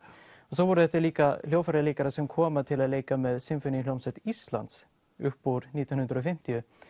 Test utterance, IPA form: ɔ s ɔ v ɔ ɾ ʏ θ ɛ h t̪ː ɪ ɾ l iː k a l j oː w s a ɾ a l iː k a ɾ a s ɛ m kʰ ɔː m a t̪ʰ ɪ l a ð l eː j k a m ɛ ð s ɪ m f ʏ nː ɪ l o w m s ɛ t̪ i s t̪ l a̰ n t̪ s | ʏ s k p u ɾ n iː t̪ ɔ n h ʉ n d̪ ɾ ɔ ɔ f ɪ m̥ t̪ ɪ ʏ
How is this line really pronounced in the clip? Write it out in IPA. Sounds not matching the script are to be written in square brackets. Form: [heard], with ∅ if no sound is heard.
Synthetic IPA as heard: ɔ s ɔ v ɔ ɾ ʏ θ ɛ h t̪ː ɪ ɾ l iː k a l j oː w [f] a ɾ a l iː k a ɾ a s ɛ m kʰ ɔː m a t̪ʰ ɪ l a ð l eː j k a m ɛ ð s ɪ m f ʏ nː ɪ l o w m s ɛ t̪ i s t̪ l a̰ n t̪ s | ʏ [h] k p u ɾ n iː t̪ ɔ n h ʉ n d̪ ɾ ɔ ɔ f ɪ m̥ t̪ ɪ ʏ